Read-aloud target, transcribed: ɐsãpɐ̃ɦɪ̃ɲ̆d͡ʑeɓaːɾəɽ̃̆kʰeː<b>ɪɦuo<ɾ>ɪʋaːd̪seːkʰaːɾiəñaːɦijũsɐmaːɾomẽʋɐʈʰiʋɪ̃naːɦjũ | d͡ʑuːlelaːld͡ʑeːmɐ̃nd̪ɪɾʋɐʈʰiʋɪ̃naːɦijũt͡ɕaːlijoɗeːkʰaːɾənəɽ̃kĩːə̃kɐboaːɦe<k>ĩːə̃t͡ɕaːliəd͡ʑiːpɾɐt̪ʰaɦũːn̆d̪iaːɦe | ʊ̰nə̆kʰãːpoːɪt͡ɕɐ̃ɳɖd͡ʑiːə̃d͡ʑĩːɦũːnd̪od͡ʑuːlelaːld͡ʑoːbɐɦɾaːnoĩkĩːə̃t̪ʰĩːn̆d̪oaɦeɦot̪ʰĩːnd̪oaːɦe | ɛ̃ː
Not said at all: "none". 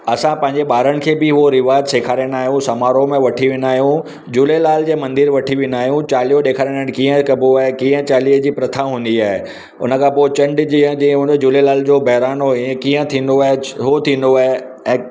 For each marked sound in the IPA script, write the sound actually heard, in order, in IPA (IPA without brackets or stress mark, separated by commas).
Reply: b, ɾ, k